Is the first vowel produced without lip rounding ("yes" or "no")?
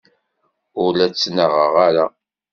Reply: no